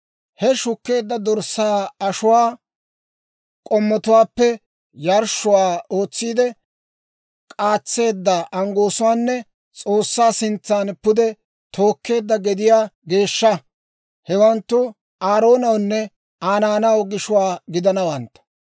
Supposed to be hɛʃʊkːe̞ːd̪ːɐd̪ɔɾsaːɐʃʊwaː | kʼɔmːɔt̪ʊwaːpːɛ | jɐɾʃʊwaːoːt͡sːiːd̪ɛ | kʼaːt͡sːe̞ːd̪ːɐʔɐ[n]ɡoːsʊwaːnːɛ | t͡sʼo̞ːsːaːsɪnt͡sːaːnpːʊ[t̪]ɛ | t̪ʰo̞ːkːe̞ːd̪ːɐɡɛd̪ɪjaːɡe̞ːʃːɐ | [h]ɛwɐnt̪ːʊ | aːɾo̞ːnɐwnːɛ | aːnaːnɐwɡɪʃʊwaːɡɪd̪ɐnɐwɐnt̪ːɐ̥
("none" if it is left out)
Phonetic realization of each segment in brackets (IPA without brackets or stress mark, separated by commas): ŋ, d̪, h